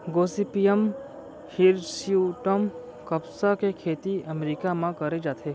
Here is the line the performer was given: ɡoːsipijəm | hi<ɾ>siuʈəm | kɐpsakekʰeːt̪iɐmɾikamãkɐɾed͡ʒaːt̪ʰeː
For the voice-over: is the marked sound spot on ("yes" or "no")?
yes